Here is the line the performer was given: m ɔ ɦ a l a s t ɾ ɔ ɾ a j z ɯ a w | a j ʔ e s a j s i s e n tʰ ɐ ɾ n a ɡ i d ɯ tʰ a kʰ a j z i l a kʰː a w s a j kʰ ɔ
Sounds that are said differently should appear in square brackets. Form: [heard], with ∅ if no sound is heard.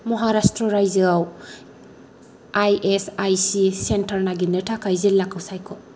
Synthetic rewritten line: m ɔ ɦ a [ɾ] a s t ɾ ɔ ɾ a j z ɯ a w | a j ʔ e s a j s i s e n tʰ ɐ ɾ n a ɡ i [n] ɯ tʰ a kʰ a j z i l a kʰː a w s a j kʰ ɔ